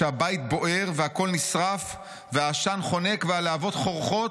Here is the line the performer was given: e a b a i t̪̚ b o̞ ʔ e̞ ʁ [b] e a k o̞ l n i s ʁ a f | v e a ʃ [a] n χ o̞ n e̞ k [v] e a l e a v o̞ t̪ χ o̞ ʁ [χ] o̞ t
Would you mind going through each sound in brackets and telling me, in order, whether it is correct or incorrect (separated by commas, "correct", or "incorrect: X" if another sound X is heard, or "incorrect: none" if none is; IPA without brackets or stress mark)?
incorrect: v, correct, correct, correct